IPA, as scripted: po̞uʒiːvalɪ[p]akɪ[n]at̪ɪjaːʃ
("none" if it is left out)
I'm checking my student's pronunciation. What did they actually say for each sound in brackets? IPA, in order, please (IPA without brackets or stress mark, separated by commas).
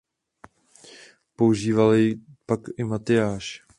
p, m